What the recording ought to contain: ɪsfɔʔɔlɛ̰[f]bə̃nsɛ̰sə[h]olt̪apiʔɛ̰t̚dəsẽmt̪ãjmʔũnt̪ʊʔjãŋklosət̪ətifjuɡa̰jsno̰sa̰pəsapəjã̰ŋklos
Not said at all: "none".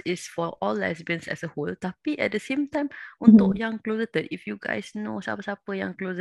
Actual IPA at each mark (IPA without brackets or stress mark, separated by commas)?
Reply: s, h